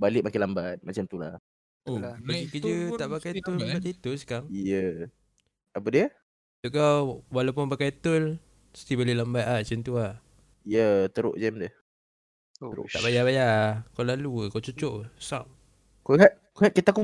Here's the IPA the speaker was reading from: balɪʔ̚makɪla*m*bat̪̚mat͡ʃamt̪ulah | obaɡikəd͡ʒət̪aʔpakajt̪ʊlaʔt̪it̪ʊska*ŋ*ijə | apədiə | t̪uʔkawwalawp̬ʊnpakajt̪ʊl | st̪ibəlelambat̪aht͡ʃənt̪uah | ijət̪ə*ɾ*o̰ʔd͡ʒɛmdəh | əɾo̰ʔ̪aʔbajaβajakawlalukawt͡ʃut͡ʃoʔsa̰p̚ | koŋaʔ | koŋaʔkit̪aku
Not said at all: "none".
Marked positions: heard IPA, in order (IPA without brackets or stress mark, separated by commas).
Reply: m, ŋ, ɾ